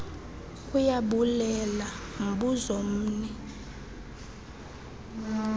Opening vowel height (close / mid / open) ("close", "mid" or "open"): close